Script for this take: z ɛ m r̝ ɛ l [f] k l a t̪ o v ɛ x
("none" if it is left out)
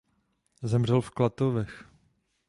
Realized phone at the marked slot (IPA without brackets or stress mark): f